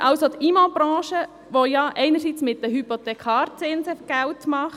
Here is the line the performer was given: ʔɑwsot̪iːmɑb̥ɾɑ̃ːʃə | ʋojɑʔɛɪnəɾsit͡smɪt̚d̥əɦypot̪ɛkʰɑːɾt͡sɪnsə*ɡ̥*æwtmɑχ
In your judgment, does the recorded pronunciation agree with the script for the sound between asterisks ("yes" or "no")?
yes